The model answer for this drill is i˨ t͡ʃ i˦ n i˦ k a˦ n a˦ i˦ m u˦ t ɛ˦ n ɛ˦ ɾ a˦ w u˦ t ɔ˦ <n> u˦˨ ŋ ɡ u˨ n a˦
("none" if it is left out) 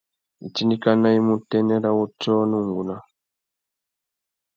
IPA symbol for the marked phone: n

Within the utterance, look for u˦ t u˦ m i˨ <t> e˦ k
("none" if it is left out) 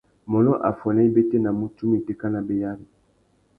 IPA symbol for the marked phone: t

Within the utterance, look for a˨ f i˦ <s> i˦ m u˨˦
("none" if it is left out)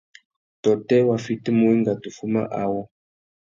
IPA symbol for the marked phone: t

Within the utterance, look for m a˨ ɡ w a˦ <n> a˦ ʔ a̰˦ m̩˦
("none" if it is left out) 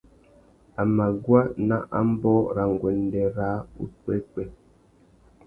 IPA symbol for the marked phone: n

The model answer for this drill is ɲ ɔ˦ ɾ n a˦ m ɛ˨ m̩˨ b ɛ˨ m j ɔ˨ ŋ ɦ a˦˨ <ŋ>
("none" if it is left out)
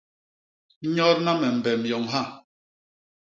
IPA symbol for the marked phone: none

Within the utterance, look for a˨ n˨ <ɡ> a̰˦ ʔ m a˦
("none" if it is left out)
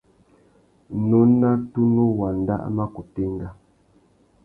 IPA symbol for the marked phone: d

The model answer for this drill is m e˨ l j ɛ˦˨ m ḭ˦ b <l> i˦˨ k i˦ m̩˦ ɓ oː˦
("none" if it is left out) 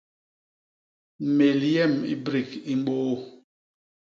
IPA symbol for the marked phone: ɾ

